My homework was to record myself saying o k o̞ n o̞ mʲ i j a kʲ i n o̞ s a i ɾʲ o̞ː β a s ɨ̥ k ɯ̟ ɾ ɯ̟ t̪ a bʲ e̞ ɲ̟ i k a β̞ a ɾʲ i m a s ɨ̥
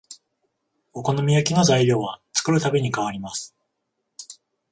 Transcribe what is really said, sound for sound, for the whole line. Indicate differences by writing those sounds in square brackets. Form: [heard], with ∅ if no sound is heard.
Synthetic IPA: o k o̞ n o̞ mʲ i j a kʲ i n o̞ [z] a i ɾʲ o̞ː β a [t͡s] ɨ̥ k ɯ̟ ɾ ɯ̟ t̪ a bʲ e̞ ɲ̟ i k a β̞ a ɾʲ i m a s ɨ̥